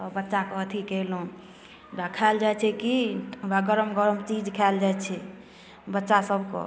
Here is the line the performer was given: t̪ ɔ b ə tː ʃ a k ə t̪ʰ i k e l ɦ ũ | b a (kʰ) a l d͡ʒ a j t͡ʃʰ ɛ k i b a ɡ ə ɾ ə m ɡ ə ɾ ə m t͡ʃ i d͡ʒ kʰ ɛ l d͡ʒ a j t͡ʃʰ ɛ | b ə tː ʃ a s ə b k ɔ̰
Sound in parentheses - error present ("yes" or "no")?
no